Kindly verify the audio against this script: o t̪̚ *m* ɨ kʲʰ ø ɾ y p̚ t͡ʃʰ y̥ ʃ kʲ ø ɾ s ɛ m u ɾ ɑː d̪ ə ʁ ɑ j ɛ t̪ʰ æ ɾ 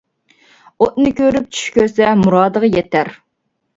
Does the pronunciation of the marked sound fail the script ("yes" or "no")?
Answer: yes